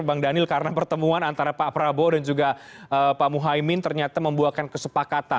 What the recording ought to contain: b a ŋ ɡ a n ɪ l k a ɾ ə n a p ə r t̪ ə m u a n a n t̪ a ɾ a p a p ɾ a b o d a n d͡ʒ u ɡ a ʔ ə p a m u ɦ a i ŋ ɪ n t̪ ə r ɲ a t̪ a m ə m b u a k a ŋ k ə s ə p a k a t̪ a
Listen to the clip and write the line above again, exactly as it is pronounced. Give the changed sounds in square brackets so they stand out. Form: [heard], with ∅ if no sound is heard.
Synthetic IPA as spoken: b a ŋ [d] a n ɪ l k a ɾ ə n a p ə r t̪ ə m u a n a n t̪ a ɾ a p a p ɾ a b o d a n d͡ʒ u ɡ a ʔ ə p a m u ɦ a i [m] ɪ n t̪ ə r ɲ a t̪ a m ə m b u a k a [n] k ə s ə p a k a t̪ a